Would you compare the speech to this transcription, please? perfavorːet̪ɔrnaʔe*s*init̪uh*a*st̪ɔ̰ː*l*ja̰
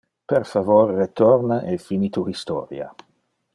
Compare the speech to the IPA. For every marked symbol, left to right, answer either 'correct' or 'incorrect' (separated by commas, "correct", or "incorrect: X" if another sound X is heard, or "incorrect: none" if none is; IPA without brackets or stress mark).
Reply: incorrect: f, incorrect: i, incorrect: ɾ